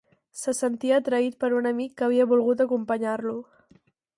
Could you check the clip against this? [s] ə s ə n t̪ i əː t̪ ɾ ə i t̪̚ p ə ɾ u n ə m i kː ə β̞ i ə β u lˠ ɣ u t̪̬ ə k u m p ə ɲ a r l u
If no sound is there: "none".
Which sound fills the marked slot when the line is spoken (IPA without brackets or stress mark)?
s